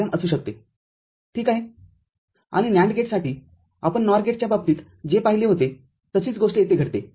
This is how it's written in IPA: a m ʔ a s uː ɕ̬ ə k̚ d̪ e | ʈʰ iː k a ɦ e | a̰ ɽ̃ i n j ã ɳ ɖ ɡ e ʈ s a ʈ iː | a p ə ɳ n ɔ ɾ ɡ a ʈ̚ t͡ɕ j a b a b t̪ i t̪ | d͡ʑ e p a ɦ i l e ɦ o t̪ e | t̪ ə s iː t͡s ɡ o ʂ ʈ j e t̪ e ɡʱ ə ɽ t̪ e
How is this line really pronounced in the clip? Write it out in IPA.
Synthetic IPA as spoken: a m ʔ ə s uː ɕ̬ ə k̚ t̪ e | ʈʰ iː k a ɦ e | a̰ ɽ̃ i n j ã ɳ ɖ ɡ e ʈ s a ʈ iː | a p ə ɳ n ɔ ɾ ɡ e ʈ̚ t͡ɕ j a b a b t̪ iː t̪ | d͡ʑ e p a ɦ i l e ɦ o t̪ e | t̪ ə s iː t͡s ɡ o ʂ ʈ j e t̪ e ɡʱ ə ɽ t̪ e